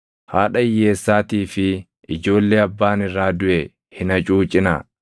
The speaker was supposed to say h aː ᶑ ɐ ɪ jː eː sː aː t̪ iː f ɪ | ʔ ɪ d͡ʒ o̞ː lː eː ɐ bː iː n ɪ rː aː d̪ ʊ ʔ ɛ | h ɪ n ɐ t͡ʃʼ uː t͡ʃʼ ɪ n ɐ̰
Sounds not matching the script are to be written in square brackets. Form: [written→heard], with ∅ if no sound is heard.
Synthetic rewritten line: h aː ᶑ ɐ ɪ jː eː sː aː t̪ iː f ɪ | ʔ ɪ d͡ʒ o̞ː lː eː ɐ bː [iː→aː] n ɪ rː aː d̪ ʊ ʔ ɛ | h ɪ n ɐ t͡ʃʼ uː t͡ʃʼ ɪ n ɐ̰